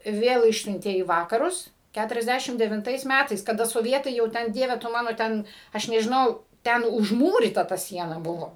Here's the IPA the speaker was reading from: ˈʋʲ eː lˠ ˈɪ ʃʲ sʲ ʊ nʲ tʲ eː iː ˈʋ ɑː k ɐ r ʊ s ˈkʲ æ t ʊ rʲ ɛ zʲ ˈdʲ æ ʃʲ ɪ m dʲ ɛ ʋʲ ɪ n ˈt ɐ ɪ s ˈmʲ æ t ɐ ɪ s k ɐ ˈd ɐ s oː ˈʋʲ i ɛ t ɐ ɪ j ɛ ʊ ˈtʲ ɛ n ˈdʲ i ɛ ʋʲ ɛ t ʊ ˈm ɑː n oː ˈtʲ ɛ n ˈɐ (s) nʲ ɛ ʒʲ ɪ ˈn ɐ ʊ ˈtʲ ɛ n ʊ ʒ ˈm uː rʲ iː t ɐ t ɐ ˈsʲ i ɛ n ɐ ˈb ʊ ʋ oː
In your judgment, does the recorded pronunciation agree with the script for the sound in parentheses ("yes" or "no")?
no